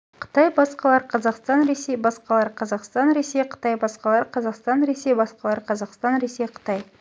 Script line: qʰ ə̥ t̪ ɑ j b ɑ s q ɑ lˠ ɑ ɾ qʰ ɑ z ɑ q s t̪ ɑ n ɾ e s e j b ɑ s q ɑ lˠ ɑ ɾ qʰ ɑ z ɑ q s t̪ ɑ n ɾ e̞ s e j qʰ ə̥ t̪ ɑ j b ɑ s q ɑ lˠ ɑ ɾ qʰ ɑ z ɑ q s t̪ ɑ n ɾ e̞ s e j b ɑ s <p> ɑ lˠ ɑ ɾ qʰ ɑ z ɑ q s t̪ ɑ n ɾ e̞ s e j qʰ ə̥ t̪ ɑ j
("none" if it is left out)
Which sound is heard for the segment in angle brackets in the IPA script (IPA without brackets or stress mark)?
q